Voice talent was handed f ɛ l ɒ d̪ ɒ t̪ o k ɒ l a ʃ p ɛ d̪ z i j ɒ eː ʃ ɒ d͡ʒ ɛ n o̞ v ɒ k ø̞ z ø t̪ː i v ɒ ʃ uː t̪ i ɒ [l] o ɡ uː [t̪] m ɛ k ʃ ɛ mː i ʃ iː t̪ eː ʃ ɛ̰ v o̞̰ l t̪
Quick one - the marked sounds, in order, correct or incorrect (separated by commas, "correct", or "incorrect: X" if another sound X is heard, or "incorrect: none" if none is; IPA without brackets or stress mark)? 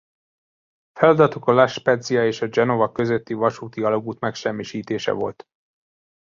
correct, correct